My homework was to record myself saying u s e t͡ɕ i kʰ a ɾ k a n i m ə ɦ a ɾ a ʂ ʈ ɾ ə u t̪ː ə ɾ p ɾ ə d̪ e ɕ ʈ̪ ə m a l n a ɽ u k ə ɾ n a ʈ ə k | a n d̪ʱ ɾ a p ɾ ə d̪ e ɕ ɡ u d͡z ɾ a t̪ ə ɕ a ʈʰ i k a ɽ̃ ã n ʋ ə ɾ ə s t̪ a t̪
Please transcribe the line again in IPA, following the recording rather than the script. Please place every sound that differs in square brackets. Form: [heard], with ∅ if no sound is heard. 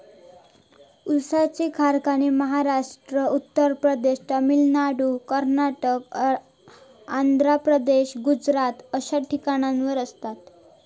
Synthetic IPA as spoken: u s [a] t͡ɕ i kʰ a ɾ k a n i m ə ɦ a ɾ a ʂ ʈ ɾ ə u t̪ː ə ɾ p ɾ ə d̪ e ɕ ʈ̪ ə m [i] l n a ɽ u k ə ɾ n a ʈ ə k | a n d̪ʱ ɾ a p ɾ ə d̪ e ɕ ɡ u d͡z ɾ a t̪ ə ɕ a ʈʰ i k a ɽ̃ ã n ʋ ə ɾ ə s t̪ a t̪